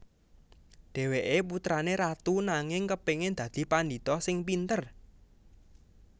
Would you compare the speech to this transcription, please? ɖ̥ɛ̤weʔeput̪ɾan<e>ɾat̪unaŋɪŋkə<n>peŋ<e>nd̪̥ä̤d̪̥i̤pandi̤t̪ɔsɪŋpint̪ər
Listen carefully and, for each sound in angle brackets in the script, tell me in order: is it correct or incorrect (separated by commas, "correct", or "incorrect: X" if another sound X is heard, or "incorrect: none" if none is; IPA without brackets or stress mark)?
correct, incorrect: none, correct